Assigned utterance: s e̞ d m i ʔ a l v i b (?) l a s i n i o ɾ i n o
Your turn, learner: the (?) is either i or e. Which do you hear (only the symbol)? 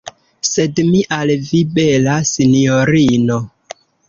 e